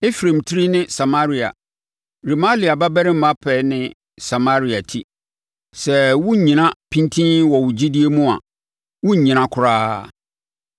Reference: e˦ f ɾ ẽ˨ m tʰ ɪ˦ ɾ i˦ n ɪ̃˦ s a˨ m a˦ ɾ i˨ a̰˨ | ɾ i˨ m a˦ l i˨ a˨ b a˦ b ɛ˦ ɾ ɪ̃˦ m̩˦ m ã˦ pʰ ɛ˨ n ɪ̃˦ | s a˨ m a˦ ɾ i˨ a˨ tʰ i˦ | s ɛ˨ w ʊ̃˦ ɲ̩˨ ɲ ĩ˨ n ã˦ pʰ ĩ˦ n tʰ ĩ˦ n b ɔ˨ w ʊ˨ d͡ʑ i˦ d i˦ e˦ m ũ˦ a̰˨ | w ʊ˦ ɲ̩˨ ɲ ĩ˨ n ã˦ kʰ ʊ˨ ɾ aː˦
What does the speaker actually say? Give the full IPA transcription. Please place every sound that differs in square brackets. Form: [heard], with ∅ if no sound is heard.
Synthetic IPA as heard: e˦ f ɾ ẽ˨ m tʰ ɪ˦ ɾ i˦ n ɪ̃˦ s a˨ m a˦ ɾ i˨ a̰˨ | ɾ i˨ m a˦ l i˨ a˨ b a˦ b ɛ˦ ɾ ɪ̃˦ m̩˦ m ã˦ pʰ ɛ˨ n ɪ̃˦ | s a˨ m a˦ ɾ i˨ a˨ tʰ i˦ | s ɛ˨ w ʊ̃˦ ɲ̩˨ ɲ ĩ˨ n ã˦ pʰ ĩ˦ n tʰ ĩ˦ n [w] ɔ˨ w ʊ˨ d͡ʑ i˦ d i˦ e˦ m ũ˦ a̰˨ | w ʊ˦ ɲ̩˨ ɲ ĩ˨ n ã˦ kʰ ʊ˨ ɾ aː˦